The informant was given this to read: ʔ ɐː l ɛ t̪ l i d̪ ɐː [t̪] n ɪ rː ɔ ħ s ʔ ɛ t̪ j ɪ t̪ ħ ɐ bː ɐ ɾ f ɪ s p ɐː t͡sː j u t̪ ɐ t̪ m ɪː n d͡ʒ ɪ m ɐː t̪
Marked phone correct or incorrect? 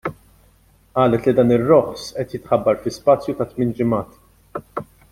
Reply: incorrect